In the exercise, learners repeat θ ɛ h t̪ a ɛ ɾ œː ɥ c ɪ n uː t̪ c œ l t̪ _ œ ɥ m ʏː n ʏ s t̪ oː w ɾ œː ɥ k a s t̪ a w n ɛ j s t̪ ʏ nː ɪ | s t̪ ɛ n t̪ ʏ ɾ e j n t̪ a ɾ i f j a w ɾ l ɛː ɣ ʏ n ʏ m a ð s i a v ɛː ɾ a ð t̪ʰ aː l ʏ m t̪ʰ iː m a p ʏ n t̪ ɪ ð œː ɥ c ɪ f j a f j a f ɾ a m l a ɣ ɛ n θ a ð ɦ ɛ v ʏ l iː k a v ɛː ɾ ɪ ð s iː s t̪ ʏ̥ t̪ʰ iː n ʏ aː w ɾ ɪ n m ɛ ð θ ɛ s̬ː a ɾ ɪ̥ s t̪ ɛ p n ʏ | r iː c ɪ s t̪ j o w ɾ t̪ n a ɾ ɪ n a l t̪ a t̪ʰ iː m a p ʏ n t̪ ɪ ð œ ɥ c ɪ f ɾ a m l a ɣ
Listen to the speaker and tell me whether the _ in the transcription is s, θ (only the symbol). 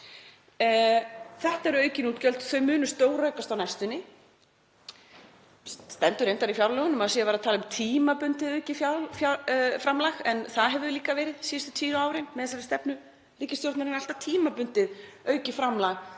θ